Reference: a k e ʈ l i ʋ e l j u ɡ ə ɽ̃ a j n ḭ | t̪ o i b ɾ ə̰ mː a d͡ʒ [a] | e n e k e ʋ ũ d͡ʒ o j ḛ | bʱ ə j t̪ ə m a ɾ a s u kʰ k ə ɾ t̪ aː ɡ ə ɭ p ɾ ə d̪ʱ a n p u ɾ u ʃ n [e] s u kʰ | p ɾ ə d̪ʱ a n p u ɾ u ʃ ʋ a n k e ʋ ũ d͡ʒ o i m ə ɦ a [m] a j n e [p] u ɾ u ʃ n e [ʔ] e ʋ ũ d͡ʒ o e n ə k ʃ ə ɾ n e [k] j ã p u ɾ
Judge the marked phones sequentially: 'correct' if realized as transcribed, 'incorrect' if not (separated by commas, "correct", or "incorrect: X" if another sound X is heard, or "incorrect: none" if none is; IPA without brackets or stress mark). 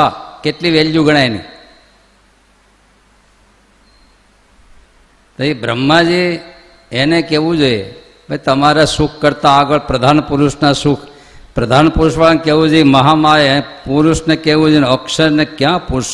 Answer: incorrect: i, incorrect: a, correct, correct, incorrect: k, correct